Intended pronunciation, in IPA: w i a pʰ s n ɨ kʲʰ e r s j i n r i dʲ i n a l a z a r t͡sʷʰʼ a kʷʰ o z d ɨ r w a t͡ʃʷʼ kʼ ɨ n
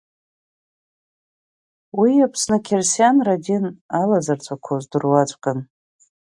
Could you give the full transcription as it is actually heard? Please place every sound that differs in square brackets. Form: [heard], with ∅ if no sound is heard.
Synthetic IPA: w i a pʰ s n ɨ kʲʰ e r s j [a] n r [a] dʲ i n a l a z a r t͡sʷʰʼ a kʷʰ o z d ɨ r w a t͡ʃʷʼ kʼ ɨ n